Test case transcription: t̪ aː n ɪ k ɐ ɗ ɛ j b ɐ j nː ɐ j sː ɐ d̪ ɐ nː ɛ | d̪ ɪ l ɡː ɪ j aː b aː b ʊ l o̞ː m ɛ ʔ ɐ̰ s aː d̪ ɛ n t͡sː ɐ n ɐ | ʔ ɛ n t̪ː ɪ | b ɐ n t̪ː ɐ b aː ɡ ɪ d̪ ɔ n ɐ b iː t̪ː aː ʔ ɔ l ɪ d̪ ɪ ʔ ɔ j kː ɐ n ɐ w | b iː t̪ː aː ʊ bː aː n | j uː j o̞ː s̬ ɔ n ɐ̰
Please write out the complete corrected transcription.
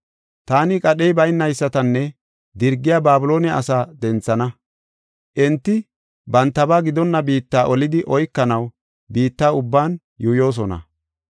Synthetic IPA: t̪ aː n ɪ kʼ ɐ ɗ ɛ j b ɐ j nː ɐ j sː ɐ t̪ ɐ nː ɛ | d̪ ɪ ɾ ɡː ɪ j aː b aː b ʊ l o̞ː n ɛ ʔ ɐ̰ s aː d̪ ɛ n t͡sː ɐ n ɐ | ʔ ɛ n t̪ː ɪ | b ɐ n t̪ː ɐ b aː ɡ ɪ d̪ ɔ nː ɐ b iː t̪ː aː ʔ ɔ l ɪ d̪ ɪ ʔ ɔ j kː ɐ n ɐ w | b iː t̪ː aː ʊ bː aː n | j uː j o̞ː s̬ ɔ n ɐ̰